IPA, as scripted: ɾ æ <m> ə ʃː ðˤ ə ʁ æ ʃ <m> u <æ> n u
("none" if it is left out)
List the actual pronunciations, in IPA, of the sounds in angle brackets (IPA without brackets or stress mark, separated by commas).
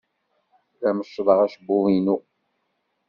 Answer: m, b, i